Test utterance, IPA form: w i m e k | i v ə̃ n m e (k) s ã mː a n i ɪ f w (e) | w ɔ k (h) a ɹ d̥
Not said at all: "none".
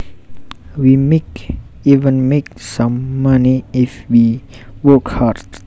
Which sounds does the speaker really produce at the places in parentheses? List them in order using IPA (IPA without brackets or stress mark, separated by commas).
k, i, h